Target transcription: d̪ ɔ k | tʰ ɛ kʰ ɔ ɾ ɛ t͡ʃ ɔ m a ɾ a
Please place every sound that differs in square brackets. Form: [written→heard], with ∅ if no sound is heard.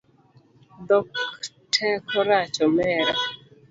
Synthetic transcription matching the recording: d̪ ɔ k | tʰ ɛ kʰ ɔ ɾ [ɛ→a] t͡ʃ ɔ m [a→ɛ] ɾ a